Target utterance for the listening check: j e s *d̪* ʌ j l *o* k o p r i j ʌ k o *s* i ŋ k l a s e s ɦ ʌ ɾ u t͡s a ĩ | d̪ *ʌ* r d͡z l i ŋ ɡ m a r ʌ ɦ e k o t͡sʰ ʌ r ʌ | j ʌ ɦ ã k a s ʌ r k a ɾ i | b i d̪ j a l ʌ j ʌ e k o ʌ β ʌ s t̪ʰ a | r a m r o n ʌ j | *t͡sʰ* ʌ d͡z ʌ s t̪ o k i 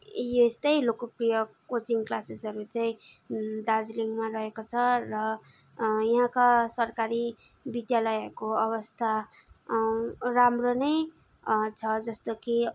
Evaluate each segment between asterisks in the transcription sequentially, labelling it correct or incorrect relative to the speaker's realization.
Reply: incorrect: t̪, correct, incorrect: t͡s, incorrect: a, correct

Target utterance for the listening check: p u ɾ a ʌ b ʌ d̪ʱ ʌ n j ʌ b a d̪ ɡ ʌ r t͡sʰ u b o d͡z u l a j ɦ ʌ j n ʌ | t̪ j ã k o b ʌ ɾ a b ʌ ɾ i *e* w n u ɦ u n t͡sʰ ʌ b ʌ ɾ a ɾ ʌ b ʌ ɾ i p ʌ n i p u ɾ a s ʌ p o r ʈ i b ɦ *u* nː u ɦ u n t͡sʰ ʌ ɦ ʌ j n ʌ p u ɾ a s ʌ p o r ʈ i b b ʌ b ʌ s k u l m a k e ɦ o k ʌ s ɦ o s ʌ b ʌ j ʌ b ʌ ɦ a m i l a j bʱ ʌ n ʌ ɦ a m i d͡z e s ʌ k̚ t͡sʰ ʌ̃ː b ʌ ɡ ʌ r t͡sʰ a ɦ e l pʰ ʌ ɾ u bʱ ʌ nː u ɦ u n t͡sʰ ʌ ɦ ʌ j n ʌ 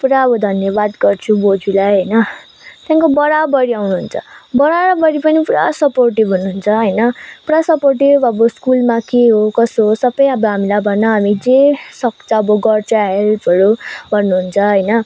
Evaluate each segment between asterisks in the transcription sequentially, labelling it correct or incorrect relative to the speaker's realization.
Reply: incorrect: a, correct

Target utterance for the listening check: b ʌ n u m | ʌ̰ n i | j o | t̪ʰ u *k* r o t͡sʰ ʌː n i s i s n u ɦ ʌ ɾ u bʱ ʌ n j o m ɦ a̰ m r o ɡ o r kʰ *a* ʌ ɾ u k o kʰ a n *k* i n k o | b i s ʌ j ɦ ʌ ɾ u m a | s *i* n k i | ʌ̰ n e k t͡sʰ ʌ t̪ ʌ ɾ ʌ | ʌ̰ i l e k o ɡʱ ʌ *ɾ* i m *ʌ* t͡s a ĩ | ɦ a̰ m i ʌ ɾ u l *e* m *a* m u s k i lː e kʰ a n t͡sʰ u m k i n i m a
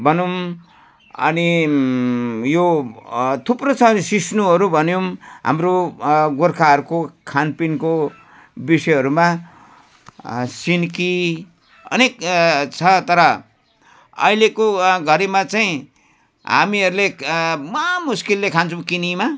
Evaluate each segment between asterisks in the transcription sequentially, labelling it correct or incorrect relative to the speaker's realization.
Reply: incorrect: p, correct, incorrect: p, correct, correct, incorrect: a, correct, incorrect: ʌ

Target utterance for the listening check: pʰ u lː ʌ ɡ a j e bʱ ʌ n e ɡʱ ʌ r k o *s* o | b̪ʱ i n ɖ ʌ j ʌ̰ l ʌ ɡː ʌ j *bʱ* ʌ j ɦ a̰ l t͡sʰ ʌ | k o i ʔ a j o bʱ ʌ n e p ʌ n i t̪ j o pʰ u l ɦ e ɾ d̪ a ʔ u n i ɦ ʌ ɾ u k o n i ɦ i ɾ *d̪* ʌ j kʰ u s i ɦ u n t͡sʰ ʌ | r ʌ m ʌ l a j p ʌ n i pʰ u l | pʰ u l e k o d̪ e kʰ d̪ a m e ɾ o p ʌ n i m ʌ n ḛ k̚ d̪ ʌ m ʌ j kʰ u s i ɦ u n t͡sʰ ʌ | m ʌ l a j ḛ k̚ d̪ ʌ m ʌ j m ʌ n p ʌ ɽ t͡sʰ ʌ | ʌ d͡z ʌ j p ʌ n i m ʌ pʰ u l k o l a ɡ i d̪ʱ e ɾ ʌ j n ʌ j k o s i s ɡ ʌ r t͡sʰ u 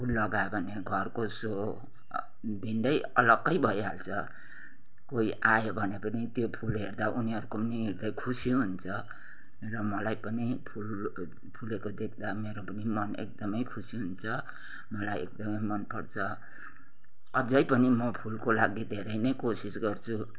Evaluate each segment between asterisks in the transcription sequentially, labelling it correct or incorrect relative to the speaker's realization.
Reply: correct, correct, correct

